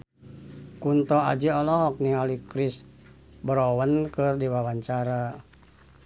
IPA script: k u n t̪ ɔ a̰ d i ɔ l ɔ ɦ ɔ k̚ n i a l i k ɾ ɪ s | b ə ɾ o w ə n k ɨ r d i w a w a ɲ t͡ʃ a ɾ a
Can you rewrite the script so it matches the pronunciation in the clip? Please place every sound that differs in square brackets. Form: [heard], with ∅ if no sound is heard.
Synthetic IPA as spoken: k u n t̪ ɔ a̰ [d͡ʒ] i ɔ l ɔ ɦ ɔ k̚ n i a l i k ɾ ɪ s | b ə ɾ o w ə n k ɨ r d i w a w a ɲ t͡ʃ a ɾ a